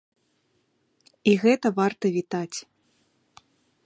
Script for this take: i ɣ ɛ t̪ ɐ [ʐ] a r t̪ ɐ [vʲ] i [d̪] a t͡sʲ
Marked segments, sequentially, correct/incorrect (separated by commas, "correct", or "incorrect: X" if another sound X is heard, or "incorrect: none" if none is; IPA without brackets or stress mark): incorrect: v, correct, incorrect: t̪